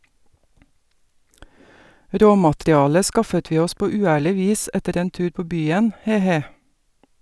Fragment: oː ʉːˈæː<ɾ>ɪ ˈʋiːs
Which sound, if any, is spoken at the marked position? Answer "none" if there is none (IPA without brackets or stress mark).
ɭ